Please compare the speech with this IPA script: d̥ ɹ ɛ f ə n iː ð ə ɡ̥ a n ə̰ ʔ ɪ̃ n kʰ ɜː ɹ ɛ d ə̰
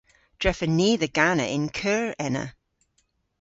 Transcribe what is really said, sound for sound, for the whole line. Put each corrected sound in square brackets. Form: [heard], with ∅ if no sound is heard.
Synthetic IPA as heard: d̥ ɹ ɛ f ə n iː ð ə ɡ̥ a n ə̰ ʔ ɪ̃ n kʰ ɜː ɹ ɛ [n] ə̰